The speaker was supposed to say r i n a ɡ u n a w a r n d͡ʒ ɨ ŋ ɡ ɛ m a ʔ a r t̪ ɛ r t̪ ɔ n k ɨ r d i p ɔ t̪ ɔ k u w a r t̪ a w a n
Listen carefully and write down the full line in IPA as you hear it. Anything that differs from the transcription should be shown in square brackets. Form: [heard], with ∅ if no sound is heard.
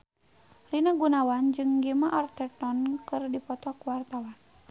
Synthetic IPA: r i n a ɡ u n a w a [∅] n d͡ʒ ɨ ŋ ɡ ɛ m a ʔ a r t̪ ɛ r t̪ ɔ n k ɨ r d i p ɔ t̪ ɔ k u w a r t̪ a w a n